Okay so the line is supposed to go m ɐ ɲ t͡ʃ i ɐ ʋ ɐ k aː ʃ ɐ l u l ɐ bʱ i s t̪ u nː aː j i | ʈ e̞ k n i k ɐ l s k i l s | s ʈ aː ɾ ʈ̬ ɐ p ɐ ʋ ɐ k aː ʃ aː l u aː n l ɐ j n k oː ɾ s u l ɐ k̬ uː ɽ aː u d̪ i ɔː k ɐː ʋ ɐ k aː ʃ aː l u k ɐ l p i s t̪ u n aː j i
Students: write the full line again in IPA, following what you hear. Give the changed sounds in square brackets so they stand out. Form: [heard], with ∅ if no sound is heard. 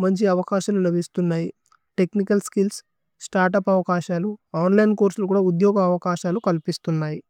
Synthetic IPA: m ɐ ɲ t͡ʃ i ɐ ʋ ɐ k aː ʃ ɐ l u l ɐ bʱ i s t̪ u nː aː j i | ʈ e̞ k n i k ɐ l s k i l s | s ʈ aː ɾ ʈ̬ ɐ p ɐ ʋ ɐ k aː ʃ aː l u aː n l ɐ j n k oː ɾ s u l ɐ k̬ uː ɽ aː u d̪ [j] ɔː [ɡ] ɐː ʋ ɐ k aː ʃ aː l u k ɐ l p i s t̪ u [nː] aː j i

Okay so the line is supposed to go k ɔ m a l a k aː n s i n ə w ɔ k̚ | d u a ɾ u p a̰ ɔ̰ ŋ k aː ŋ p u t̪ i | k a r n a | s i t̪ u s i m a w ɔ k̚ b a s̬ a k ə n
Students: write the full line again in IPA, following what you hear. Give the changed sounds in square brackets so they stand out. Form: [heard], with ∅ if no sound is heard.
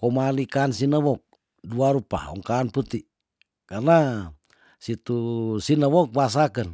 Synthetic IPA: k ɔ m a l [i] k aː n s i n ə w ɔ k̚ | d u a ɾ u p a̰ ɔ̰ ŋ k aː [n] p u t̪ i | k a r n a | s i t̪ u s i [n] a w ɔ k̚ b a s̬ a k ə n

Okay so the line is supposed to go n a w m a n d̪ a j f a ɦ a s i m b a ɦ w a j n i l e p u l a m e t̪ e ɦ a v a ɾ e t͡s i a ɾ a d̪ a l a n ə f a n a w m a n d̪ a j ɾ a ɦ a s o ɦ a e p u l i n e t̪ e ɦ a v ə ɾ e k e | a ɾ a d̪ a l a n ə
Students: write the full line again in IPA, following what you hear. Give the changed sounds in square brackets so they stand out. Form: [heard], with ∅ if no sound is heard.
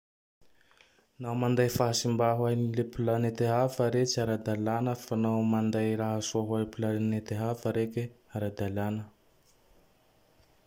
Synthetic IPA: n a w m a n d̪ a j f a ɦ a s i m b a ɦ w a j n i l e p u l a [n] e t̪ e ɦ a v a ɾ e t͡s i a ɾ a d̪ a l a n ə f a n a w m a n d̪ a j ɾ a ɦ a s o ɦ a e p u l [a] n e t̪ e ɦ a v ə ɾ e k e | a ɾ a d̪ a l a n ə

